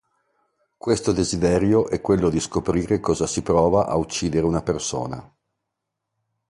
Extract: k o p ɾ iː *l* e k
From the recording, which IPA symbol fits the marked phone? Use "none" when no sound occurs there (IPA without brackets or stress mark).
ɾ